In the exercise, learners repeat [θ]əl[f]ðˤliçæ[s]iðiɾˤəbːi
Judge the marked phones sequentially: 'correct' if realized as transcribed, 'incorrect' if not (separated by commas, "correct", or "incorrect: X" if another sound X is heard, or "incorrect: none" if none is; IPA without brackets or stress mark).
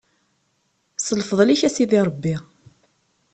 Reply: incorrect: s, correct, correct